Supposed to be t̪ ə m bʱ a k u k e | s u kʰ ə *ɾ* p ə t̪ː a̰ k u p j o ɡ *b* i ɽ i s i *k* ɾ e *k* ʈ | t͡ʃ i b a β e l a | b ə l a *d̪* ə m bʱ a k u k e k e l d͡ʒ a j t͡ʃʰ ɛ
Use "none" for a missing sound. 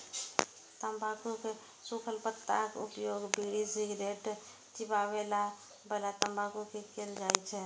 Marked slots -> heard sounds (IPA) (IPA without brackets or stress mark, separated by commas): l, b, ɡ, none, t̪